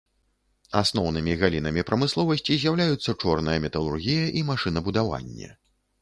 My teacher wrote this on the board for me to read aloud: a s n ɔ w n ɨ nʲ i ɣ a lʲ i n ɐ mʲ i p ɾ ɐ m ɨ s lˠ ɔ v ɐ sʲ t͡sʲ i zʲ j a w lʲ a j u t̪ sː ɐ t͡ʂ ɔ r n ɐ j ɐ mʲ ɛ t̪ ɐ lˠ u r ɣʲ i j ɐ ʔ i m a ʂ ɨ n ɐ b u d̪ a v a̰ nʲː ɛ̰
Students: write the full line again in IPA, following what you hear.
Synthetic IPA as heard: a s n ɔ w n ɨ mʲ i ɣ a lʲ i n ɐ mʲ i p ɾ ɐ m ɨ s lˠ ɔ v ɐ sʲ t͡sʲ i zʲ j a w lʲ a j u t̪ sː ɐ t͡ʂ ɔ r n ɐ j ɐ mʲ ɛ t̪ ɐ lˠ u r ɣʲ i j ɐ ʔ i m a ʂ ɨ n ɐ b u d̪ a v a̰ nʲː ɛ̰